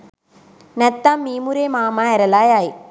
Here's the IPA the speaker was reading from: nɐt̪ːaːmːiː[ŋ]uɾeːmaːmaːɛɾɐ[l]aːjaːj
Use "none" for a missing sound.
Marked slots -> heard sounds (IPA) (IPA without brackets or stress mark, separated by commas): m, l